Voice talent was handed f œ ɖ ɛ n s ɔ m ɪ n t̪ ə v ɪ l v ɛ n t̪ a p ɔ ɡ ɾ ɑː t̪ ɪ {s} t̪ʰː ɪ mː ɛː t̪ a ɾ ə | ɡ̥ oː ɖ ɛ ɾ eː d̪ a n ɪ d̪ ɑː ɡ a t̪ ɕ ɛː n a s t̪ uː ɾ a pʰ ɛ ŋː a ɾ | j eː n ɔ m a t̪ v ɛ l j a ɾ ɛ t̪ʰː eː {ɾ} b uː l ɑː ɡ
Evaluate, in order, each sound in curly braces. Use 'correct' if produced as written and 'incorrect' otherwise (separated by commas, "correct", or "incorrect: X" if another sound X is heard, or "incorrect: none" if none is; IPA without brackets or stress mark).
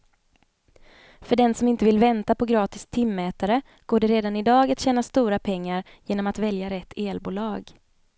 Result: correct, incorrect: l